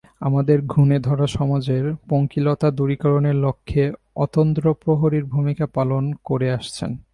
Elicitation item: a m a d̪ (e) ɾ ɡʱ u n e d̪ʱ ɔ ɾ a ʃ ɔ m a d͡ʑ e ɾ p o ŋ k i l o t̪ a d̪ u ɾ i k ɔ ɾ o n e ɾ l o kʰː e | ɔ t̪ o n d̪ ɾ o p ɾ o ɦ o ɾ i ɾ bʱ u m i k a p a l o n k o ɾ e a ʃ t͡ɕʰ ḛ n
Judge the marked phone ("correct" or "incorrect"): correct